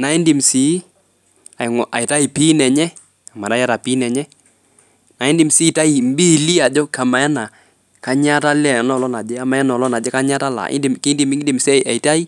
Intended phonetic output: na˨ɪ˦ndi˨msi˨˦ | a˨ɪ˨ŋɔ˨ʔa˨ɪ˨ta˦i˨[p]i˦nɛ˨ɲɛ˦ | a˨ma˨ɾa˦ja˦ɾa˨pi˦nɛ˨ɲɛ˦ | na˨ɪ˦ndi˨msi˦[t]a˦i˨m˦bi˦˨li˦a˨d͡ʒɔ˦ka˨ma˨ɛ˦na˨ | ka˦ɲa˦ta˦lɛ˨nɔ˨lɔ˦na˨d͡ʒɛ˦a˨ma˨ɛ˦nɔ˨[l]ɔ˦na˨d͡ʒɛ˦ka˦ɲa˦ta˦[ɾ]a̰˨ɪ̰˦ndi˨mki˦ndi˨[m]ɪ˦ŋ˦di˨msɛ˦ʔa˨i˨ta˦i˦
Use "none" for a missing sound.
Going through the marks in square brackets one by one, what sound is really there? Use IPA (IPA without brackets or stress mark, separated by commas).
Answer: p, t, l, l, m